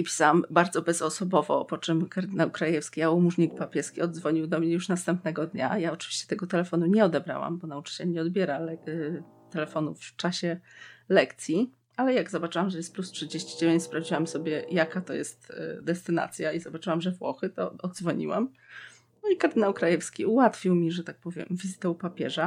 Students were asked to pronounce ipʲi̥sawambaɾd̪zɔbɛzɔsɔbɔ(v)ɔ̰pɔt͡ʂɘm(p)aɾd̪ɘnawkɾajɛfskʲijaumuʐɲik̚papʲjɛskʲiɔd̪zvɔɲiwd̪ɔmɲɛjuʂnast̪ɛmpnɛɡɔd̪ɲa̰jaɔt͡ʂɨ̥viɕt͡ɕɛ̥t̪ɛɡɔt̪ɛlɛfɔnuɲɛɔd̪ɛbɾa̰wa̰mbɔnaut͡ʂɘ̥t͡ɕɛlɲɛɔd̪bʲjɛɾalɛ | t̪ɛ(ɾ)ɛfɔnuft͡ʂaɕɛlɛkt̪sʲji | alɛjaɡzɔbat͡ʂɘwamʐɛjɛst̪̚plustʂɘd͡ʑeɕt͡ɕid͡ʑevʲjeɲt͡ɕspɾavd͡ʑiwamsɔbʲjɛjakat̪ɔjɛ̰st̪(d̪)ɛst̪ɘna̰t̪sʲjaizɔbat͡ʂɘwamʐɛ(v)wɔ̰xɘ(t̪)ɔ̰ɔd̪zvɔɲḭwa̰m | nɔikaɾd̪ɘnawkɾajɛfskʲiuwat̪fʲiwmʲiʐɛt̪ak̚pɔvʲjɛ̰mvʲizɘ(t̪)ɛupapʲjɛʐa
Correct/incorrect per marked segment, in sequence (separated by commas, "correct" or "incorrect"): correct, incorrect, incorrect, correct, correct, correct, correct